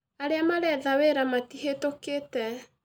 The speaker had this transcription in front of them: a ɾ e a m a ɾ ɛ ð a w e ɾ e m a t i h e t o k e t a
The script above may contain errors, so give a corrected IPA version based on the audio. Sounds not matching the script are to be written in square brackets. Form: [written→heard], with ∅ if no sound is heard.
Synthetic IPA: a ɾ e a m a ɾ ɛ ð a w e ɾ [e→a] m a t i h e t o k e t [a→ɛ]